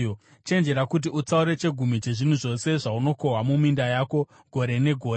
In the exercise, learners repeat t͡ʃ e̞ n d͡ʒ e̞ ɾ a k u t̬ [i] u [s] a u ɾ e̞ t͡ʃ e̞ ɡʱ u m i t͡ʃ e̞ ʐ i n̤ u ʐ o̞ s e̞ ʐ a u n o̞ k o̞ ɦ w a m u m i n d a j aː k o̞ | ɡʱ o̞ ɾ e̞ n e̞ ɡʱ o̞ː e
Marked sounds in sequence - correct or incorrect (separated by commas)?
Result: correct, incorrect